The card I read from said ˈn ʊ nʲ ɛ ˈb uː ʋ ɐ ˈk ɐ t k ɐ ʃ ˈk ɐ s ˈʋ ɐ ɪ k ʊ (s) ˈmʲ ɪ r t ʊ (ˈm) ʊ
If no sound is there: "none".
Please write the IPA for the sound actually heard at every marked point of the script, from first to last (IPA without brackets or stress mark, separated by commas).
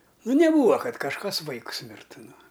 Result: s, n